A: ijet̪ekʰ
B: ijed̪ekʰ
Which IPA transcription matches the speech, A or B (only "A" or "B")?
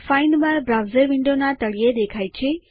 B